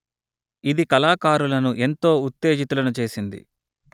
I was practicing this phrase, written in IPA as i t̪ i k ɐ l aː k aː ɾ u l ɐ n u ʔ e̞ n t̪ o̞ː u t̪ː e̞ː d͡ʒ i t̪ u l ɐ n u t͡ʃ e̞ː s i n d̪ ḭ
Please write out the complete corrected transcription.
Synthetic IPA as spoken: i d̪ i k ɐ l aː k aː ɾ u l ɐ n u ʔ e̞ n t̪ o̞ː u t̪ː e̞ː d͡ʒ i t̪ u l ɐ n u t͡ʃ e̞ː s i n d̪ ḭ